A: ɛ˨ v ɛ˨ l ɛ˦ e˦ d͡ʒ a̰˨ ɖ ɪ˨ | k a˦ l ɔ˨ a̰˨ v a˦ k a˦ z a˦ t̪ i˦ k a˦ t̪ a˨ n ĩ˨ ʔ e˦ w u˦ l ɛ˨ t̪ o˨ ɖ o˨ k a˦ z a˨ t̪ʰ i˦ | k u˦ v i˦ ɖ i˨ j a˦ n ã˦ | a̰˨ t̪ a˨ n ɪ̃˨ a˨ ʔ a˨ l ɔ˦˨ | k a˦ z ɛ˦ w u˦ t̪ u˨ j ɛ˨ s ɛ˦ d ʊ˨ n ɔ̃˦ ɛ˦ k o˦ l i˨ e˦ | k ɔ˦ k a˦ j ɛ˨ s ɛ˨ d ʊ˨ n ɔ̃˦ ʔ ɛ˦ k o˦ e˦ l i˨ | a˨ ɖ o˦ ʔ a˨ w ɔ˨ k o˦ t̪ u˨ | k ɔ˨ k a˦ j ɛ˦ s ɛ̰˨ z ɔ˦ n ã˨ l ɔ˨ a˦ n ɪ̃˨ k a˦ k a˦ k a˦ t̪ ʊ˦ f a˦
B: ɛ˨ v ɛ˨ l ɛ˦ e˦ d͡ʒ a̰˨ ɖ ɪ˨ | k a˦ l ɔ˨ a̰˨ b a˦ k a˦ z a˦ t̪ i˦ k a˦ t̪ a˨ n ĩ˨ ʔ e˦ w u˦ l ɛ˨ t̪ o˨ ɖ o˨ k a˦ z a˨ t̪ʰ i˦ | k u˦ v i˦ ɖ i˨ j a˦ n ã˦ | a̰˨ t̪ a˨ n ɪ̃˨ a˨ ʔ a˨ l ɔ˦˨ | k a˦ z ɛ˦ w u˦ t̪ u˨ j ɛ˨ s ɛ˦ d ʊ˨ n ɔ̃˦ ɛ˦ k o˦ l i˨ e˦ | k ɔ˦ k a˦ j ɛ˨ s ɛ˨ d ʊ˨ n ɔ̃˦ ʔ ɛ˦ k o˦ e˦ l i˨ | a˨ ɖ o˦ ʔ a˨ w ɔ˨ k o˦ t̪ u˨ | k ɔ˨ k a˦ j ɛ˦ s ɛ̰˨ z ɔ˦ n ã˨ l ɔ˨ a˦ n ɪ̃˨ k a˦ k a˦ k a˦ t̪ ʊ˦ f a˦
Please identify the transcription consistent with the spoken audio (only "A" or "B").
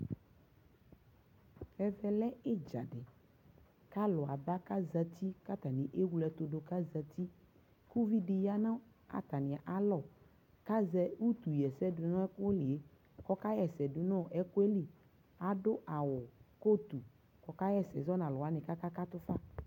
B